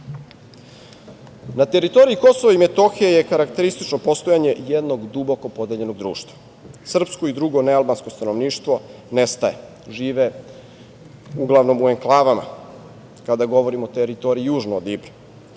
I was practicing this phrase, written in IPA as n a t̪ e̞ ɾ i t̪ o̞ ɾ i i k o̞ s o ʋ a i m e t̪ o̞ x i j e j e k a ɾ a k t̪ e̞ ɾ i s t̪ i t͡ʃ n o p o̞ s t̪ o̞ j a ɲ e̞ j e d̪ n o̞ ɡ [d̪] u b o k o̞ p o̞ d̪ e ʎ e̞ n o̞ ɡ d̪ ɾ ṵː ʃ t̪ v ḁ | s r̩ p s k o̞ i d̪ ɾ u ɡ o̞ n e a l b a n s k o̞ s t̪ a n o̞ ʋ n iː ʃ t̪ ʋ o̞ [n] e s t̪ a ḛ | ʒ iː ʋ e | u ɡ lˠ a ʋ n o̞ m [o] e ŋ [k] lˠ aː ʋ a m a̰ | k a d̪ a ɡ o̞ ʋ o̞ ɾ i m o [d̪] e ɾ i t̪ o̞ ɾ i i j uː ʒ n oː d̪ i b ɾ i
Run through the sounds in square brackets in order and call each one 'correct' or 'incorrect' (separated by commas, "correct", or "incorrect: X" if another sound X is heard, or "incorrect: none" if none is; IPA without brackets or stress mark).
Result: correct, correct, incorrect: u, correct, incorrect: t̪